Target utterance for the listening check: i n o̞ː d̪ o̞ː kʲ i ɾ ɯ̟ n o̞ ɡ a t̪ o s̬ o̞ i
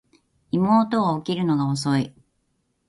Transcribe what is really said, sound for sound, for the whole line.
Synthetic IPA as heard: i m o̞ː t̪ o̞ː kʲ i ɾ ɯ̟ n o̞ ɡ a o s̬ o̞ i